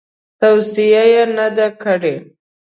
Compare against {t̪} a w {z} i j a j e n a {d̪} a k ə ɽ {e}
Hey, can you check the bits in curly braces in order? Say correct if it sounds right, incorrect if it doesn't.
correct, incorrect, correct, correct

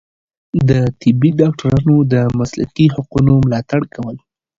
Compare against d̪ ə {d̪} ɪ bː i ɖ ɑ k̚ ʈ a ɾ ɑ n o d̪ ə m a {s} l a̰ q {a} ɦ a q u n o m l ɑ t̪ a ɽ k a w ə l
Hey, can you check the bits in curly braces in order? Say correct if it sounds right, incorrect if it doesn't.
incorrect, correct, incorrect

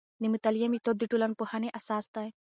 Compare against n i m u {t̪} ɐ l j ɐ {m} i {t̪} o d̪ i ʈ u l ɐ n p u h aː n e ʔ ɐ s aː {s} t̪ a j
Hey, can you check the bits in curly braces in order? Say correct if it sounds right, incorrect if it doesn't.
correct, correct, correct, correct

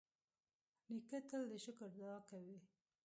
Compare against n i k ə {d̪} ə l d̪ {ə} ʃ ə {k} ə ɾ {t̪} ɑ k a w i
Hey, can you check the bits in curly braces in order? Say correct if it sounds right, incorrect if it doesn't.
incorrect, correct, correct, incorrect

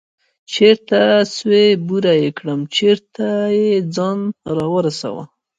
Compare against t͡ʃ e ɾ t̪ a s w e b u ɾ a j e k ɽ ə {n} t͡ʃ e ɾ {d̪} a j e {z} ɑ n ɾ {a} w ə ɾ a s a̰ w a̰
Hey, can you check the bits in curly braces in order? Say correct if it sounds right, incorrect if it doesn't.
incorrect, incorrect, incorrect, incorrect

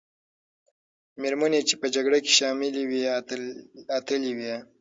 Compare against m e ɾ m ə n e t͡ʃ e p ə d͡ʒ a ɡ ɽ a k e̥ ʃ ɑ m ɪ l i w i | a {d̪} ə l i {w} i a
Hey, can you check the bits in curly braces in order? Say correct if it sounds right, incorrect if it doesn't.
incorrect, correct

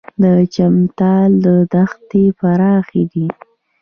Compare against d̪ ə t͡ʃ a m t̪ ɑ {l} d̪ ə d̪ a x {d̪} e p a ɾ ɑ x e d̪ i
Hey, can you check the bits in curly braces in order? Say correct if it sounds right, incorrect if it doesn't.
correct, incorrect

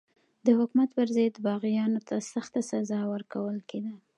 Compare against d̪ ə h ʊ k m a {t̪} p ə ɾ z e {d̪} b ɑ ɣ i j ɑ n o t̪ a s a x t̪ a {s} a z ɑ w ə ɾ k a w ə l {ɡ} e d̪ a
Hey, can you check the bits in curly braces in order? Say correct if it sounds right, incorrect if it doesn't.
correct, correct, correct, incorrect

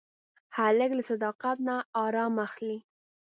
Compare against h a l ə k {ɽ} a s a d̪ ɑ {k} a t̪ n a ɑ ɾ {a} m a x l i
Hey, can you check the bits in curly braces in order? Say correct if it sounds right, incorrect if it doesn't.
incorrect, incorrect, incorrect

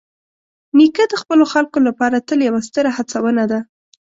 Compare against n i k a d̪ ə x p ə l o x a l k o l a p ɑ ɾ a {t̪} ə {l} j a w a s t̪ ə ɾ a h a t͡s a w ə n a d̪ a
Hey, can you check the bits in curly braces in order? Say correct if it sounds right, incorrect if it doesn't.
correct, correct

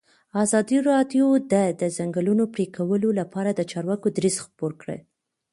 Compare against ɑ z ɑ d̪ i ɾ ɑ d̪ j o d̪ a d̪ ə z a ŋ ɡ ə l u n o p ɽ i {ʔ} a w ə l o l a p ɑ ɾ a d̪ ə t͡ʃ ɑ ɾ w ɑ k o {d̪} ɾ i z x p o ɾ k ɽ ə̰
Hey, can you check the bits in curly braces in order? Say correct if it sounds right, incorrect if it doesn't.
incorrect, correct

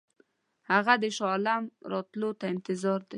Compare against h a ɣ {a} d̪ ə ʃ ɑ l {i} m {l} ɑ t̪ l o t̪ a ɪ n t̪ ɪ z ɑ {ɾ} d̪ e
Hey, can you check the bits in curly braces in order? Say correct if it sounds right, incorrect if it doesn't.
correct, incorrect, incorrect, correct

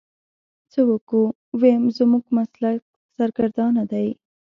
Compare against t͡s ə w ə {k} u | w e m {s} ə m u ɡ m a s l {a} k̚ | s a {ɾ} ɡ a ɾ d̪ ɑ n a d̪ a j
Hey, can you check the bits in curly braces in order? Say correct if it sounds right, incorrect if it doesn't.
correct, incorrect, correct, correct

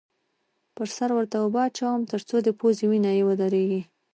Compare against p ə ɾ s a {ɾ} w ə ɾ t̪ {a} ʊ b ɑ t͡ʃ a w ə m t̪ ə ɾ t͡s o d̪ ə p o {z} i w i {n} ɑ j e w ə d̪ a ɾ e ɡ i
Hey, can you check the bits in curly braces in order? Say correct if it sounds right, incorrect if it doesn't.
correct, correct, correct, correct

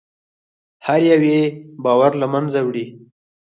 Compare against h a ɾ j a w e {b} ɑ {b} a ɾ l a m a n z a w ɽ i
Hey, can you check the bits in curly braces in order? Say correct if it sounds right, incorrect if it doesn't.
correct, incorrect

